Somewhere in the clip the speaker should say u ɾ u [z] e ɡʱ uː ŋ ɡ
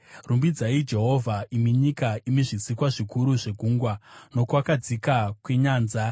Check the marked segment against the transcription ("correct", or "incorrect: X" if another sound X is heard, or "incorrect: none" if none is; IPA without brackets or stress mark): incorrect: ʐ